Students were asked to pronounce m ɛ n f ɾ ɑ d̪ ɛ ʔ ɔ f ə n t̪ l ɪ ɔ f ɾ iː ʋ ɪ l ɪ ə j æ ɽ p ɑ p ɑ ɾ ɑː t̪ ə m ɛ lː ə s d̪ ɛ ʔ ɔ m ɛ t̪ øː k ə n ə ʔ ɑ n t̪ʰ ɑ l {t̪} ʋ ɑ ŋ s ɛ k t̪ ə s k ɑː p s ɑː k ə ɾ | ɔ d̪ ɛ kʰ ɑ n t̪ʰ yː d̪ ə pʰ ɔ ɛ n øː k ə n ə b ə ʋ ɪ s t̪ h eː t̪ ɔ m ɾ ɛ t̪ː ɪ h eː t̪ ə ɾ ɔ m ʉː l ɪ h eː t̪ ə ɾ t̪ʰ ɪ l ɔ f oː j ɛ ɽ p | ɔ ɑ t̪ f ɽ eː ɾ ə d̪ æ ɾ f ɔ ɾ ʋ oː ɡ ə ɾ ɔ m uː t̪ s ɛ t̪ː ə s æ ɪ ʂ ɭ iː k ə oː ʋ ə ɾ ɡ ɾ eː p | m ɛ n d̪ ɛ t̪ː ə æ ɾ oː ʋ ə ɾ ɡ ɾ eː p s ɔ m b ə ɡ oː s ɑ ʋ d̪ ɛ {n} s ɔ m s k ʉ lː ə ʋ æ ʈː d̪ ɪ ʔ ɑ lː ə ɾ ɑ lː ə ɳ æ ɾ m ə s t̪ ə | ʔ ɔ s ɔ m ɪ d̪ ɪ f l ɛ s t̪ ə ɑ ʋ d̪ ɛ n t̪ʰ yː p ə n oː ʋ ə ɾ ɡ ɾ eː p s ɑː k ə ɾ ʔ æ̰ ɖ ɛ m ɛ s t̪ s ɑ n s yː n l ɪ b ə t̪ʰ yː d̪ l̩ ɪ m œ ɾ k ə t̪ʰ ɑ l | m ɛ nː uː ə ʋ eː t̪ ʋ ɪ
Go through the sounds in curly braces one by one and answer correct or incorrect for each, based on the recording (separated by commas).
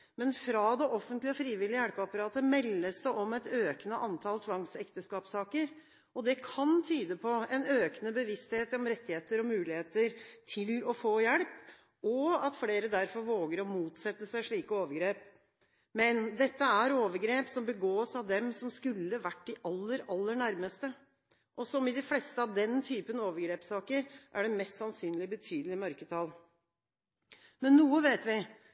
incorrect, incorrect